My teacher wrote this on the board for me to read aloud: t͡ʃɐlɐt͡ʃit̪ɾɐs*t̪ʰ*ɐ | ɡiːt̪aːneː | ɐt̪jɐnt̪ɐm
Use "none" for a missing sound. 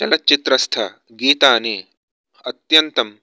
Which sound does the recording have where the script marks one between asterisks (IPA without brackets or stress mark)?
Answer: t̪ʰ